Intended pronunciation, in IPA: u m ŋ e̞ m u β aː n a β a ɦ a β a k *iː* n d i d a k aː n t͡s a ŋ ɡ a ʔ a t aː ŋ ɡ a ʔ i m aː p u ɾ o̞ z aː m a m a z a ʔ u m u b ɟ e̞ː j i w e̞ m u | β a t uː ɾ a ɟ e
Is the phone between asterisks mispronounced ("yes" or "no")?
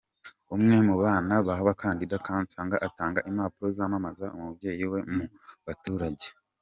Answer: yes